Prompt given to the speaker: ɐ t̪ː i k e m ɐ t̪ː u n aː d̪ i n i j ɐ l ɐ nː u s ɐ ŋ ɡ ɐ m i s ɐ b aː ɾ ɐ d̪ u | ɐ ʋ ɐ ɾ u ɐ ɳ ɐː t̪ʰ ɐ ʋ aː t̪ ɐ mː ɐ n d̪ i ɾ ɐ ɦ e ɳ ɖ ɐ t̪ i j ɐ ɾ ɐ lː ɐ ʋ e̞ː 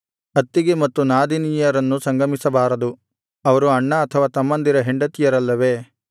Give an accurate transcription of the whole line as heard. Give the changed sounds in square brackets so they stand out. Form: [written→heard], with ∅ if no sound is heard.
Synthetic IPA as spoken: ɐ t̪ː i [k→ɡ] e m ɐ t̪ː u n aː d̪ i n i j ɐ [l→ɾ] ɐ nː u s ɐ ŋ ɡ ɐ m i s ɐ b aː ɾ ɐ d̪ u | ɐ ʋ ɐ ɾ u ɐ [ɳ→ɳː] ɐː t̪ʰ ɐ ʋ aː t̪ ɐ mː ɐ n d̪ i ɾ ɐ ɦ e ɳ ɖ ɐ t̪ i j ɐ ɾ ɐ lː ɐ ʋ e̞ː